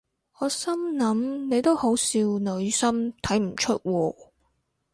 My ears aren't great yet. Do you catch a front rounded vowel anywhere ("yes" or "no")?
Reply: no